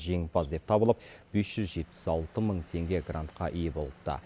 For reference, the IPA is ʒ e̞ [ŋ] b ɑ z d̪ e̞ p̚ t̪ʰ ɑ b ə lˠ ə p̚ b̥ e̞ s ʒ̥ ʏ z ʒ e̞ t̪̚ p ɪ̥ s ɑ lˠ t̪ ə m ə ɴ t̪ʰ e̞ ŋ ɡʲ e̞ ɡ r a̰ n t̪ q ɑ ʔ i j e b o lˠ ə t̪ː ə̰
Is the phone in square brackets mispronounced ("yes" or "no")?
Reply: no